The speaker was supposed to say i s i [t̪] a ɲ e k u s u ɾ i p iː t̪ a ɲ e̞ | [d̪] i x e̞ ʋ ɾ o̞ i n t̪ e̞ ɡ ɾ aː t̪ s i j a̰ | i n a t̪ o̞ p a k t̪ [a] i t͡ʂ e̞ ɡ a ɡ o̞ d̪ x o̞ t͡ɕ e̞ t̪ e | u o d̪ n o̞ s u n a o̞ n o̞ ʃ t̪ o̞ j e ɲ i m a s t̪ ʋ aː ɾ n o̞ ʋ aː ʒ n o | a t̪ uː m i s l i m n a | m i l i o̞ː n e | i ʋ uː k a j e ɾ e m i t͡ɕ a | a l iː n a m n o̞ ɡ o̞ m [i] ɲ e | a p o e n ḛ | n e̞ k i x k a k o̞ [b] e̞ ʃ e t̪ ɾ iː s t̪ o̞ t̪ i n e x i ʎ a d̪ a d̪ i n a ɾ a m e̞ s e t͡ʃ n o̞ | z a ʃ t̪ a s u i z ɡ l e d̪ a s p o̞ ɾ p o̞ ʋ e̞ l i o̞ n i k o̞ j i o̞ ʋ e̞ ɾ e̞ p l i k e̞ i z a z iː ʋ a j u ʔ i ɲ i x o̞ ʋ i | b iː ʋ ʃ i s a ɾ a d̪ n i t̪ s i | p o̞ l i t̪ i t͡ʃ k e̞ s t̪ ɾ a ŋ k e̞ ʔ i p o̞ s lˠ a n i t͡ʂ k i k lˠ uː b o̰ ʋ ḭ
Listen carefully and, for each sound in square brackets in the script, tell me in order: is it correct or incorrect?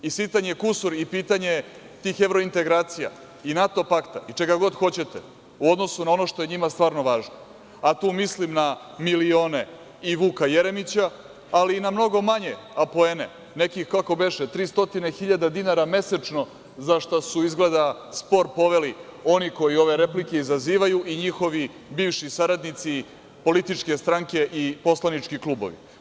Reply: correct, incorrect: t̪, correct, incorrect: a, correct

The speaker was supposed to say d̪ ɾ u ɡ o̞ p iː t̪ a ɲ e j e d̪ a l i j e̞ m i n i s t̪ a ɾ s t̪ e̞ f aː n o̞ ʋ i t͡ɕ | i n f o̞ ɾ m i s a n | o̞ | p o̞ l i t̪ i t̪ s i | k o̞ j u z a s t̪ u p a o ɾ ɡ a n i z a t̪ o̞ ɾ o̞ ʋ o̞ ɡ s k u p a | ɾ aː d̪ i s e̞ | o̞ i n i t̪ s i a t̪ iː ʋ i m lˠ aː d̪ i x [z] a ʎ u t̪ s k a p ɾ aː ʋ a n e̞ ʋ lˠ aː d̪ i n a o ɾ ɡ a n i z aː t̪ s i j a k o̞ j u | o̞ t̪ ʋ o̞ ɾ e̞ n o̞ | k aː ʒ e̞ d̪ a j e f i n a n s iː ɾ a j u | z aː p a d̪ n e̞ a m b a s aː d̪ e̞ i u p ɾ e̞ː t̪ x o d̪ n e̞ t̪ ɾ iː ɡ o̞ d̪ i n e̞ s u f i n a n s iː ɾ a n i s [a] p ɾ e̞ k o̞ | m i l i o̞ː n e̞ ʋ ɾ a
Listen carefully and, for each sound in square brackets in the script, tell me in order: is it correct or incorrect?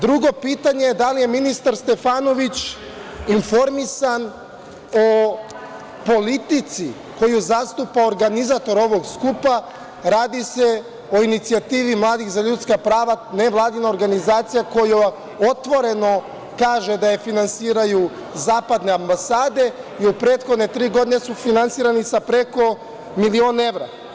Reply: correct, correct

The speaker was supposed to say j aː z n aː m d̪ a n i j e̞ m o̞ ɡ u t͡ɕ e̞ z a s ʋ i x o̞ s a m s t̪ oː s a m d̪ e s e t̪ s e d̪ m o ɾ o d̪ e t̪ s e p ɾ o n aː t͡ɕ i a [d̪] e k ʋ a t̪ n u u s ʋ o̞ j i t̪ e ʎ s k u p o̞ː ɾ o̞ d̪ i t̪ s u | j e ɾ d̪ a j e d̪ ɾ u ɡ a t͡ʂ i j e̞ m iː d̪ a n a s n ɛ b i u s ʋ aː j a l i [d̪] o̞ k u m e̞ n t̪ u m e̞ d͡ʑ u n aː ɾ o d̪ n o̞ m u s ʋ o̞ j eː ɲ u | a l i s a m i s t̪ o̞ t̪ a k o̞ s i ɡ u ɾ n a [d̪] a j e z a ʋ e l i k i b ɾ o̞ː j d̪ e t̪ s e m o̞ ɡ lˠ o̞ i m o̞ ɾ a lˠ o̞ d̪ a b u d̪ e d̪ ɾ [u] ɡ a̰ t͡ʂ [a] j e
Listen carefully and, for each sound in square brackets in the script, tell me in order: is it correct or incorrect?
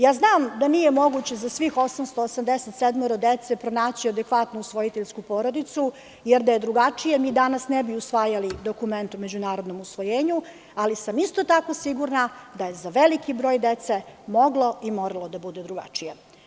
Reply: correct, correct, correct, correct, incorrect: i

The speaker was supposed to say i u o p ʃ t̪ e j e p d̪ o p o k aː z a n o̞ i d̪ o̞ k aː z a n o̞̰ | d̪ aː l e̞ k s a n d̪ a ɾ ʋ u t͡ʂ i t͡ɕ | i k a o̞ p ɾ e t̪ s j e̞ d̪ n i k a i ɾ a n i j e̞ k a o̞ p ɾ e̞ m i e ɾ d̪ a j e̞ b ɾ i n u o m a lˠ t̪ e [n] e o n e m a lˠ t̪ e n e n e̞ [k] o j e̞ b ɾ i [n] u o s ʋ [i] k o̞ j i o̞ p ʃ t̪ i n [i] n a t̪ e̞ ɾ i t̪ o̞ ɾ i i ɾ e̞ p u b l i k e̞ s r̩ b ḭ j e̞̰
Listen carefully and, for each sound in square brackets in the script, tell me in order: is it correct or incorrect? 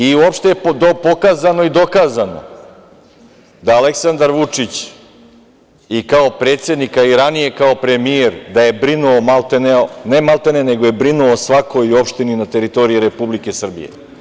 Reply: correct, incorrect: ɡ, correct, incorrect: a, correct

